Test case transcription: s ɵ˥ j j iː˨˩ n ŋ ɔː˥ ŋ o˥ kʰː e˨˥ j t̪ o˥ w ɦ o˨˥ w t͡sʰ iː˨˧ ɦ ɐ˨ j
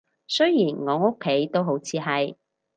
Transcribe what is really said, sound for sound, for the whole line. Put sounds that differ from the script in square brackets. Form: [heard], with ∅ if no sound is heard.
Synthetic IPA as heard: s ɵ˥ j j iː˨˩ n ŋ [ɔː˨˧] ŋ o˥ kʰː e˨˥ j t̪ o˥ w ɦ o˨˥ w t͡sʰ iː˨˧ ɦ ɐ˨ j